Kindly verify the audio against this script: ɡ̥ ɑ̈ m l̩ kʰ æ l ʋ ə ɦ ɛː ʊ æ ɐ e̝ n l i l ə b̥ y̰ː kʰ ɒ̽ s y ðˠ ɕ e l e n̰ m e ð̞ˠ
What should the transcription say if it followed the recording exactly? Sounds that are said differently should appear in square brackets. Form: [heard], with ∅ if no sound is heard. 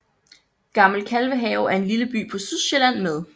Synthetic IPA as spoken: ɡ̥ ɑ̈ m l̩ kʰ æ l ʋ ə ɦ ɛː ʊ æ ɐ e̝ n l i l ə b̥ y̰ː [pʰ] ɒ̽ s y ðˠ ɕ e l [æ] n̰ m e ð̞ˠ